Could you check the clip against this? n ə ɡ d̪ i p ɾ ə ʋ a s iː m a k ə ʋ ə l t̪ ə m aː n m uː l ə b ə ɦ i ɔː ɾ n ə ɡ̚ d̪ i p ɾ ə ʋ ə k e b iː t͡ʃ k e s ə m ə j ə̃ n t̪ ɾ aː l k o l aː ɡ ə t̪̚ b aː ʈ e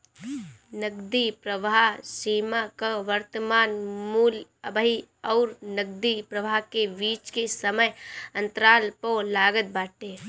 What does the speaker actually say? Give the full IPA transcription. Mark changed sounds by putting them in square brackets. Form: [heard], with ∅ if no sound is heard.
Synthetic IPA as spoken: n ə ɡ d̪ i p ɾ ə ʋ a s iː m a k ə ʋ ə [ɾ] t̪ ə m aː n m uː l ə b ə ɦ i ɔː ɾ n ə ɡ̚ d̪ i p ɾ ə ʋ [a] k e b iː t͡ʃ k e s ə m ə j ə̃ n t̪ ɾ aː l [p] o l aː ɡ ə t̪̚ b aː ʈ e